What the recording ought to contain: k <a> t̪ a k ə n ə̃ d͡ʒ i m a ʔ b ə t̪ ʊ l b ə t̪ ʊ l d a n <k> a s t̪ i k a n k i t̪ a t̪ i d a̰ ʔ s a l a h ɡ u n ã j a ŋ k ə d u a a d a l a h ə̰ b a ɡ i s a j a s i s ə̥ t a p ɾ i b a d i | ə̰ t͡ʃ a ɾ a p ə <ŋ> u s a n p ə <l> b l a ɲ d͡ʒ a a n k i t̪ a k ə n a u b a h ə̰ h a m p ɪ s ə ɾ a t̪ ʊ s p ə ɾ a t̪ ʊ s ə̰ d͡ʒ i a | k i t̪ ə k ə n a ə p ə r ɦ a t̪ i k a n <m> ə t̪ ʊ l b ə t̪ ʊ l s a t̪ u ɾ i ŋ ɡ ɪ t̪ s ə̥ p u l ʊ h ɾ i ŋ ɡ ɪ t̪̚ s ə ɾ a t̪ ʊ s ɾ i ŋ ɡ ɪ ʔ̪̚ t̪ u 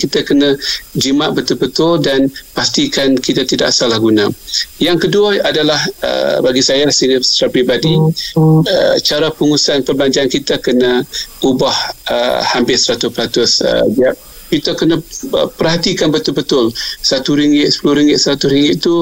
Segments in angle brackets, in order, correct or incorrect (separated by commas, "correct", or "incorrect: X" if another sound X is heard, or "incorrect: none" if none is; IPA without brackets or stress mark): incorrect: i, incorrect: p, correct, incorrect: r, incorrect: b